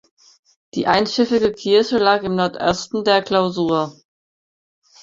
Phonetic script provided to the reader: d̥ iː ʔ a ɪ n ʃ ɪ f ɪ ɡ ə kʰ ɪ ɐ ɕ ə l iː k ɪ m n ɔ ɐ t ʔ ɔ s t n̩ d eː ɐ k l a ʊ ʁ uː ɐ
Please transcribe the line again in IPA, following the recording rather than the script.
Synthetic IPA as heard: d̥ iː ʔ a ɪ n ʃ ɪ f ɪ ɡ ə kʰ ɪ ɐ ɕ ə l aː k ɪ m n ɔ ɐ t ʔ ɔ s t n̩ d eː ɐ k l a ʊ z uː ɐ